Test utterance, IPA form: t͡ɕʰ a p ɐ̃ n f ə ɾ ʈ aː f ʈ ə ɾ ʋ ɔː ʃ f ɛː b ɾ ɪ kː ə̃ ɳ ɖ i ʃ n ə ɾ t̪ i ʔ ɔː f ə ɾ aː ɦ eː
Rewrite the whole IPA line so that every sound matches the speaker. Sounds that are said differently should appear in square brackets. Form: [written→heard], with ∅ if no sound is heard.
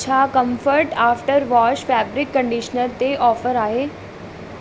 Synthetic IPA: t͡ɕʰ a [p→k] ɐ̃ [n→m] f ə ɾ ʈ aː f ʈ ə ɾ ʋ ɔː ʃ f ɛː b ɾ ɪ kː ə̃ ɳ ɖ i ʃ n ə ɾ t̪ [i→e] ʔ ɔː f ə ɾ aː ɦ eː